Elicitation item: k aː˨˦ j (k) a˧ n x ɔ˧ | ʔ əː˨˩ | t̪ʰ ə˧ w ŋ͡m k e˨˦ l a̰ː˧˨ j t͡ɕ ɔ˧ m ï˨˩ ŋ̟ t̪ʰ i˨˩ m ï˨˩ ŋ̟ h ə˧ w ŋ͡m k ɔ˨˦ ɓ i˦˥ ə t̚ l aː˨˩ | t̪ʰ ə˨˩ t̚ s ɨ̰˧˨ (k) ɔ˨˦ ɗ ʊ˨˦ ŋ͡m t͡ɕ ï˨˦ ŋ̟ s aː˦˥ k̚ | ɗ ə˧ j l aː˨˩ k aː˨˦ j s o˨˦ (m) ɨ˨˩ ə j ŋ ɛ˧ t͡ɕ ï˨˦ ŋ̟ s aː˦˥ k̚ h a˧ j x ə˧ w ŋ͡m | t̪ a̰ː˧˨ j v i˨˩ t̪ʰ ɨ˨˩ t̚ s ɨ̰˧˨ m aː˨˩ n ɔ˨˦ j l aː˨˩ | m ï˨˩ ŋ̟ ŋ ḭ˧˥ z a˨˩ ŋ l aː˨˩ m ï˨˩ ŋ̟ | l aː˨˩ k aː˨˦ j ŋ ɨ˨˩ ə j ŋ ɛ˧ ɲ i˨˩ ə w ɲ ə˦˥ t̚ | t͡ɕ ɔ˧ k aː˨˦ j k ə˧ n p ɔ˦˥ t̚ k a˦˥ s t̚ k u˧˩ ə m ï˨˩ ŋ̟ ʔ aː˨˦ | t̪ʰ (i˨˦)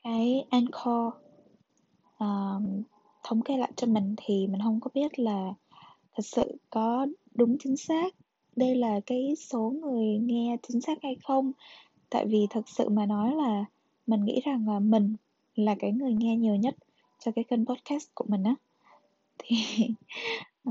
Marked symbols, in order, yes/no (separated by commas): no, yes, no, no